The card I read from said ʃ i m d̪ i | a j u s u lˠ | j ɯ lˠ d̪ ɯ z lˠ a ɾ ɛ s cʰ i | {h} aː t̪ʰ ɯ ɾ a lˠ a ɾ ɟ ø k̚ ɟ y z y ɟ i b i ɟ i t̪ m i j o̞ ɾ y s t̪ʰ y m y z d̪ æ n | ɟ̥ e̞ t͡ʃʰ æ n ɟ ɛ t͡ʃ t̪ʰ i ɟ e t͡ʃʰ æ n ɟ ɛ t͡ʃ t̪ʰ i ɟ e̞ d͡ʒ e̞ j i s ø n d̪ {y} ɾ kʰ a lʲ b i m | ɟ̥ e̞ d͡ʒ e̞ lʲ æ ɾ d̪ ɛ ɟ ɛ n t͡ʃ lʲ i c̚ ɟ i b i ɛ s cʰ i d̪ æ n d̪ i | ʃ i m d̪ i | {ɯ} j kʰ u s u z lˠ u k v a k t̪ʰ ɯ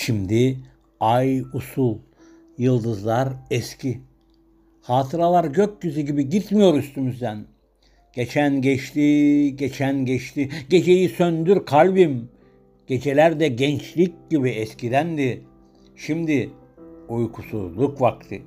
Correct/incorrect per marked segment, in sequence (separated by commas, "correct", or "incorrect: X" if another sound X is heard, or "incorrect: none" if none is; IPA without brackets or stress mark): correct, correct, incorrect: u